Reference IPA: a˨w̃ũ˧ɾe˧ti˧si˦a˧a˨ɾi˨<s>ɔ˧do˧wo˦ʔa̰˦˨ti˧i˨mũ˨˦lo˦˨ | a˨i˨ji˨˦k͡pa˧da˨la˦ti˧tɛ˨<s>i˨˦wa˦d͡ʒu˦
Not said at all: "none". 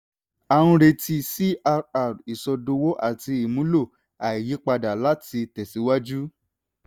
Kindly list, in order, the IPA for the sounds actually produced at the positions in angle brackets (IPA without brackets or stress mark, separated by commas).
s, s